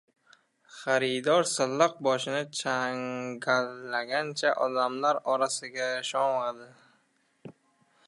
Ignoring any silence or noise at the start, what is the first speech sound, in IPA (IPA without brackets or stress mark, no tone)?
χ